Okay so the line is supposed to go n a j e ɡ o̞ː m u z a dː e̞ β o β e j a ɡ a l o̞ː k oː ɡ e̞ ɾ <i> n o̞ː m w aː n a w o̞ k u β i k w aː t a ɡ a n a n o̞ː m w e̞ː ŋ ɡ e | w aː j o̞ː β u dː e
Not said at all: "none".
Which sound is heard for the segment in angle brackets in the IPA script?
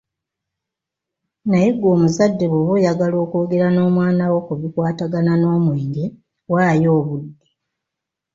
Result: a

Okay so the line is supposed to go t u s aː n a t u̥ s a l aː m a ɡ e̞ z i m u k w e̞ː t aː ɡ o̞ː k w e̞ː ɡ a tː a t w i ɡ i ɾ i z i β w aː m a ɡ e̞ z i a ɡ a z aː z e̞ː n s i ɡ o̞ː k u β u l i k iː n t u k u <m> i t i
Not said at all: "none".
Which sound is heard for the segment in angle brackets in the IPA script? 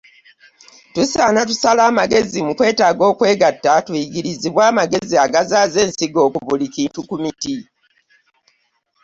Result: m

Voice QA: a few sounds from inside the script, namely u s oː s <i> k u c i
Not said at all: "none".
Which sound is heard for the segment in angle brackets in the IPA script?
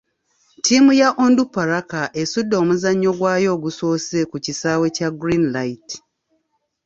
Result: e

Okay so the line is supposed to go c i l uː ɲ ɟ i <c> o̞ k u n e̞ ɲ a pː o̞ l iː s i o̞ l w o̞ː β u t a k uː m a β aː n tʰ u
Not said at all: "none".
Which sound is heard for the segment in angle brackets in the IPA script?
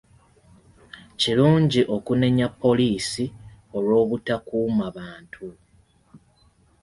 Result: ʔ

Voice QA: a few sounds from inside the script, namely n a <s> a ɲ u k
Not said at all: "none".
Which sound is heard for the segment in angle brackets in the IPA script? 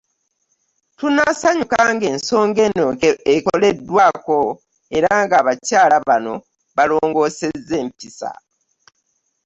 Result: s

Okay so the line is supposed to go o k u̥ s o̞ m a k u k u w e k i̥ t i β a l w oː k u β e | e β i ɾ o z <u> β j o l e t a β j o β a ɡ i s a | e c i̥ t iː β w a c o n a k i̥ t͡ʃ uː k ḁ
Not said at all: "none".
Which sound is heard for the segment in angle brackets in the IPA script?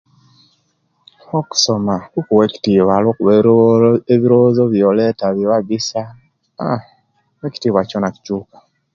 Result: o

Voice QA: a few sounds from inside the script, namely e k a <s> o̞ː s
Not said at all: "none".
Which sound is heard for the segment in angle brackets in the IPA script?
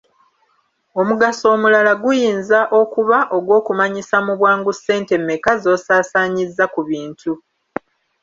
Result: z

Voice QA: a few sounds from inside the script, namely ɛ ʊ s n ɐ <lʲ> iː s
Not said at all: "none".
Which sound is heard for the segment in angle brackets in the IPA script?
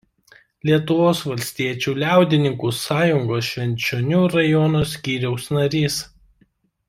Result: ɾʲ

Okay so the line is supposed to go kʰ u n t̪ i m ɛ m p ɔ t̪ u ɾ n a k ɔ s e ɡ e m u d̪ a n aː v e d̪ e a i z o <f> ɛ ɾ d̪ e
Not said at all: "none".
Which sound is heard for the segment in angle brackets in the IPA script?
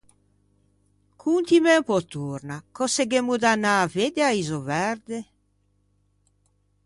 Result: v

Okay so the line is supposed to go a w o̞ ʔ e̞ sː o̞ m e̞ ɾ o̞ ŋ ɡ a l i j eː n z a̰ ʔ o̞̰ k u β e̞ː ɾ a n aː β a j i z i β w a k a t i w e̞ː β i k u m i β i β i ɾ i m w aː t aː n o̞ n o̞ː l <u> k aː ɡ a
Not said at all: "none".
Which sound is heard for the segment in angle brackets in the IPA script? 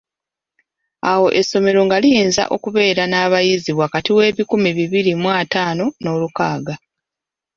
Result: u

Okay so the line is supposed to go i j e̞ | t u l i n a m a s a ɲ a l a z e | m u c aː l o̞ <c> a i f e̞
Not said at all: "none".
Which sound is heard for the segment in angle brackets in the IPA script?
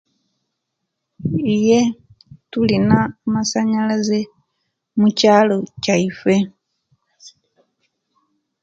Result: c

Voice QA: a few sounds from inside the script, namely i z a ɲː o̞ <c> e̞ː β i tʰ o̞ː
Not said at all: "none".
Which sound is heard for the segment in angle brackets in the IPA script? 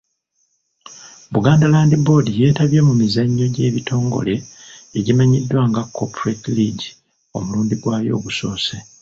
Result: ɟ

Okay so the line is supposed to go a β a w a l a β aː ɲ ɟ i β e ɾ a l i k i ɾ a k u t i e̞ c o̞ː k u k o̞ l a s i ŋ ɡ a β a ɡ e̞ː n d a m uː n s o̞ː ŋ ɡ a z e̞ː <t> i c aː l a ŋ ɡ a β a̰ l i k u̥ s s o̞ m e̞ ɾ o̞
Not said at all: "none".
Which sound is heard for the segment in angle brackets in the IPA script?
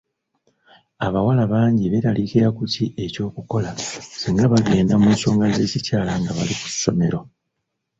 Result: c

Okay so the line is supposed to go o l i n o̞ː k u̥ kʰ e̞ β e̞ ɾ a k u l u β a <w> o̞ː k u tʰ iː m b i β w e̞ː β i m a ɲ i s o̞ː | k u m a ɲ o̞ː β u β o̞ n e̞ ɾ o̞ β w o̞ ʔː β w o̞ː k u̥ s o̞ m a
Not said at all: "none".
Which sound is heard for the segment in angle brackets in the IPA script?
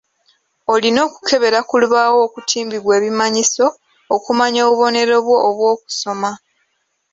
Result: w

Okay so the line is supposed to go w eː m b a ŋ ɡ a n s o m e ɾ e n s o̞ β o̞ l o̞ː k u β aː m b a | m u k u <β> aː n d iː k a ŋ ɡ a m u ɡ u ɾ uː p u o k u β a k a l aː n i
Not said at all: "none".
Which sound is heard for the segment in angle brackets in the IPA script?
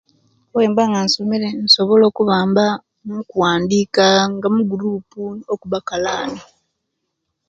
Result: w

